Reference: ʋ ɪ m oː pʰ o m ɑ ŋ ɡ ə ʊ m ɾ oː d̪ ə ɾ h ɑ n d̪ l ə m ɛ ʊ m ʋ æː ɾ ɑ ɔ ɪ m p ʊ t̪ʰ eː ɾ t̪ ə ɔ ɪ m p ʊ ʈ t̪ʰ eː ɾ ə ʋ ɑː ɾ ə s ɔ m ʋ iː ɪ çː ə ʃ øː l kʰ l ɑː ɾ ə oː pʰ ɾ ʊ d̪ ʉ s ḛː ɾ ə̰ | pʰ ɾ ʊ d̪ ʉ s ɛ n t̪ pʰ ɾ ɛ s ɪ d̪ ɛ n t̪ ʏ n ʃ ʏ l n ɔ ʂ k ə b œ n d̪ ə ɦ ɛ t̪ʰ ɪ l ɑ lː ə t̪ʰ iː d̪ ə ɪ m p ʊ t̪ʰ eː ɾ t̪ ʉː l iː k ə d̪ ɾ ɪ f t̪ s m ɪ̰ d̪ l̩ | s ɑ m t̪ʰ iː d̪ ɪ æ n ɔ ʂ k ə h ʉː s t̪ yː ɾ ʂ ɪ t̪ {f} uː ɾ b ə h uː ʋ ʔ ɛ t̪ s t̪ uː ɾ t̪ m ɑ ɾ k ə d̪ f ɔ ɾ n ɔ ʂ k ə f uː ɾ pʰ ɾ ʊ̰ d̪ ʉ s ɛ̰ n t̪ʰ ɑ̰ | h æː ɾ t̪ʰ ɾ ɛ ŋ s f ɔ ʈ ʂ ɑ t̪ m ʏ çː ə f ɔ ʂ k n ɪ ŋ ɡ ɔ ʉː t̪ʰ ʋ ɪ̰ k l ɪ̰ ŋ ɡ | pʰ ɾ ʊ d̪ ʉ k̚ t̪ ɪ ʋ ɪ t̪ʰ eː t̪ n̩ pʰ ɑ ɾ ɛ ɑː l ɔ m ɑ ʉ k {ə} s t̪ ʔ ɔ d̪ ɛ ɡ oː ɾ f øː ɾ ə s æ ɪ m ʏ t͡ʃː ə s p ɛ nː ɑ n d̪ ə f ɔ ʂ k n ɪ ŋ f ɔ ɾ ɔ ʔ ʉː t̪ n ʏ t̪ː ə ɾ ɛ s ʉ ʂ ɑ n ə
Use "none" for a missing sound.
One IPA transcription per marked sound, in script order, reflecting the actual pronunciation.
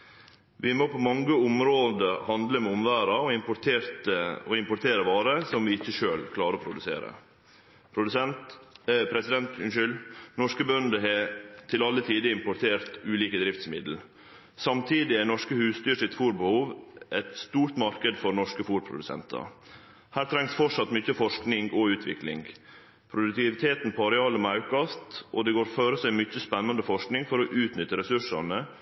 f, ɑ

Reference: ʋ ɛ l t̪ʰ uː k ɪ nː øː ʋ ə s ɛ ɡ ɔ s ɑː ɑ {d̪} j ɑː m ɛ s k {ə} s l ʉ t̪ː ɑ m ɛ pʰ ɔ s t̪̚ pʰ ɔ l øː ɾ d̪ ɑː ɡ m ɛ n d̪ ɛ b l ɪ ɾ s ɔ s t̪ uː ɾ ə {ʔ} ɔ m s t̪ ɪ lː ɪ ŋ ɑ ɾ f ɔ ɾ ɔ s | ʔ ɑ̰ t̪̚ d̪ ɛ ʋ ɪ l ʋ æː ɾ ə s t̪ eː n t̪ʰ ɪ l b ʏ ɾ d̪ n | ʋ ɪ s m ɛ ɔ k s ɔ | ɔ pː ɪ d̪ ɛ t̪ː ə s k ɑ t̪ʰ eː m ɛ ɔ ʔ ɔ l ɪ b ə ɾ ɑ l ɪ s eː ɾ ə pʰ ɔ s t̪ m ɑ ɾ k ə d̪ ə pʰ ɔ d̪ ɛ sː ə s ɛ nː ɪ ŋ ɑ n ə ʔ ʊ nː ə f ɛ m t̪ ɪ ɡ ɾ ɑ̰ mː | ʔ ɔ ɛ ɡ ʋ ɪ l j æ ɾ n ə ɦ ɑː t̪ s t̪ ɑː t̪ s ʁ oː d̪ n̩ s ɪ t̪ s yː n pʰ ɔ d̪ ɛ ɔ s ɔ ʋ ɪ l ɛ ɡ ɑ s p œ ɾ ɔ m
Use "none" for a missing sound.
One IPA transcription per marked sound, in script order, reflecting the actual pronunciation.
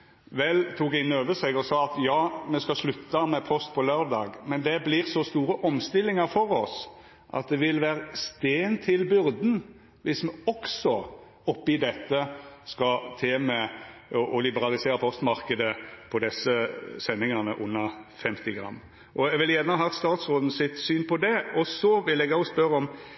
t̪, ɑ, ʔ

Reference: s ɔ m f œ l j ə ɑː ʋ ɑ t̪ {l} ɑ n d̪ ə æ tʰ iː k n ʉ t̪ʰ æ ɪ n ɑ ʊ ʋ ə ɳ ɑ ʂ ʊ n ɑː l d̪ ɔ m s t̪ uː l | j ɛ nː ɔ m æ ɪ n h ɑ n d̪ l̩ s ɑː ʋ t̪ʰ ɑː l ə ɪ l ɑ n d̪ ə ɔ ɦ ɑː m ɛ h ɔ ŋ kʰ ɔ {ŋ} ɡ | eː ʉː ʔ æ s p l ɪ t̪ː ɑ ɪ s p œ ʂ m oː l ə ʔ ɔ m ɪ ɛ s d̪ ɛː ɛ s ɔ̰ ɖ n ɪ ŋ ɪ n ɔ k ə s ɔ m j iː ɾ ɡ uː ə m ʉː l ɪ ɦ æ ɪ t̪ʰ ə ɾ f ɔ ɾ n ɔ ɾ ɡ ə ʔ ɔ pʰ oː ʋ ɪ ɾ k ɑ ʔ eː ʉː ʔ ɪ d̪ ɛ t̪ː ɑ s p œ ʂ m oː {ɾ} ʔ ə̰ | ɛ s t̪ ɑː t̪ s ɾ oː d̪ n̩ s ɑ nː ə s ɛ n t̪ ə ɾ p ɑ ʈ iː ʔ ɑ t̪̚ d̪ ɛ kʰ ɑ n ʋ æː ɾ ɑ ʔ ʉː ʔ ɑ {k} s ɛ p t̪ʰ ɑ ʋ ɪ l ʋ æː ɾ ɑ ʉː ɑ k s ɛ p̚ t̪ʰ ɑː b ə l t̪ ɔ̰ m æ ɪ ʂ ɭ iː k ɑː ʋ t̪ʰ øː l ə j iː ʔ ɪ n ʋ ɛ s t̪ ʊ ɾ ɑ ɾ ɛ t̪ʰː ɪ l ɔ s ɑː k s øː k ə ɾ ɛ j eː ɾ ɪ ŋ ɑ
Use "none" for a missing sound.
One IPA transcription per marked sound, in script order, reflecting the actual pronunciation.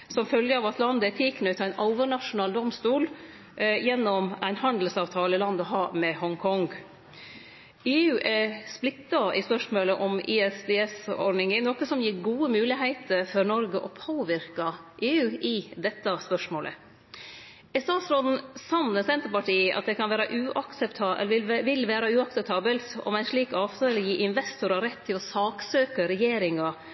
l, ŋ, l, k

